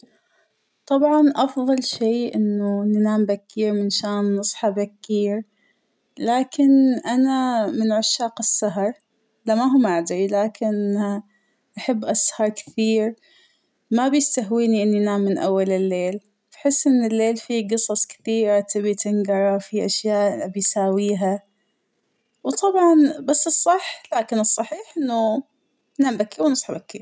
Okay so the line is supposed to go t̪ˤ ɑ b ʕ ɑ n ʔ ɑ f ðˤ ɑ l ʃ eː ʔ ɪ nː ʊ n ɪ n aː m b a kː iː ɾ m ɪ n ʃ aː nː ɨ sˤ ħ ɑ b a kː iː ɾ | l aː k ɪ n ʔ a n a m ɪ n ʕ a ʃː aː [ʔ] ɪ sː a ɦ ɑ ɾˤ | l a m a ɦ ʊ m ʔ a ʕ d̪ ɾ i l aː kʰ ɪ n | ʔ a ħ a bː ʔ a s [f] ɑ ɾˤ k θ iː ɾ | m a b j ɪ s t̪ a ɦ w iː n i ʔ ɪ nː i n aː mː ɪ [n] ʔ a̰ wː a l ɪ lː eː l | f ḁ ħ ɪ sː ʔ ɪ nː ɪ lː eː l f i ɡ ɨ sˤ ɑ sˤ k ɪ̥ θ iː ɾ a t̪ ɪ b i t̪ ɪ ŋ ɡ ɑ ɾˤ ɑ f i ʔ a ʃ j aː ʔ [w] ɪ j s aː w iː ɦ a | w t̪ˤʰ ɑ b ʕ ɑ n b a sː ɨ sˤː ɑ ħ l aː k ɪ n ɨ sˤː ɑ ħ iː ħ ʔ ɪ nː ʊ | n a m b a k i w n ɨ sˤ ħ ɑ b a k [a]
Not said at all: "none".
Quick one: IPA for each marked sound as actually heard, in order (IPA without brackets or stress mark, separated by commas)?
q, h, n, b, i